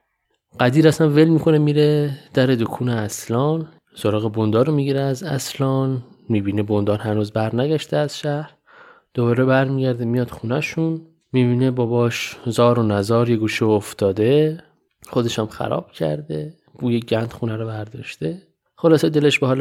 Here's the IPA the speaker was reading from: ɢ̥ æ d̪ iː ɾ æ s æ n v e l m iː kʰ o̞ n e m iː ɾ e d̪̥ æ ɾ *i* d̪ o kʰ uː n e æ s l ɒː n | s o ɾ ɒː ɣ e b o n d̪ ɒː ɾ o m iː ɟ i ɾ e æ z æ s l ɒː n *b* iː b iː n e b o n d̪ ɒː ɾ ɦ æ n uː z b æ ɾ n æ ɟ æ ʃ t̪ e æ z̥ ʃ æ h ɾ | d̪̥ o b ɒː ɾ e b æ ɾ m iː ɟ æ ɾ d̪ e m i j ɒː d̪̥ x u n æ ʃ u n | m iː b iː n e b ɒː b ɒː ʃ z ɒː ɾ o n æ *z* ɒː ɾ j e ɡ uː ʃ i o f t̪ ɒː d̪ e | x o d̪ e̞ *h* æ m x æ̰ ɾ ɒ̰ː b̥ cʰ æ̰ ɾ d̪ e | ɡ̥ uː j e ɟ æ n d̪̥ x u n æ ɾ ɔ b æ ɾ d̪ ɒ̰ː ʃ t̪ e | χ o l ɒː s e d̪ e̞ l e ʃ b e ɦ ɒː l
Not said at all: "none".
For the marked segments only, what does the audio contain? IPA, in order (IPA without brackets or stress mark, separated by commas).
e, m, z, ʃ